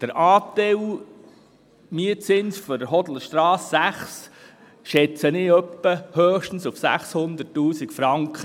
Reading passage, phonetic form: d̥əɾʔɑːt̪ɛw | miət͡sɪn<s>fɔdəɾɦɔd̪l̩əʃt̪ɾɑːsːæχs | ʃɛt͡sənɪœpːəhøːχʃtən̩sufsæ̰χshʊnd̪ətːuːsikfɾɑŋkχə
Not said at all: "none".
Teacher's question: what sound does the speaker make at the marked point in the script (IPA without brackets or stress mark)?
s